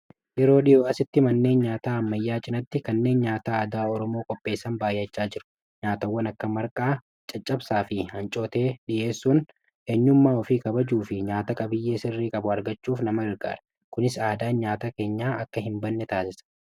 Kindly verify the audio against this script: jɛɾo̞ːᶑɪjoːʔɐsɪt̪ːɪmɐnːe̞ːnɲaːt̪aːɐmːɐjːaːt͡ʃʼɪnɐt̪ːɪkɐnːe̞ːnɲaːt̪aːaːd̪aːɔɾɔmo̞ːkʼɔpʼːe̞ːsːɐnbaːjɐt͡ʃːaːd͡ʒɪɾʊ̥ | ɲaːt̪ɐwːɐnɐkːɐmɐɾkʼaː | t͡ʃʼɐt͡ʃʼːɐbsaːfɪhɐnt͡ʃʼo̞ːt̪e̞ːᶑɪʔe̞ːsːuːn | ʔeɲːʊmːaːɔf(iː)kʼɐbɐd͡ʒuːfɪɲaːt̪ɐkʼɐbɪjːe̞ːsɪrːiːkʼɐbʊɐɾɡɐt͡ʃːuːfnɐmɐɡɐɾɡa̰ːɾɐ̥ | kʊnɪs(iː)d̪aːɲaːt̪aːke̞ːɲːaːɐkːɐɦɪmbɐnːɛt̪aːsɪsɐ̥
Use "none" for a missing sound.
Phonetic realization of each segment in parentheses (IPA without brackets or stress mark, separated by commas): iː, aː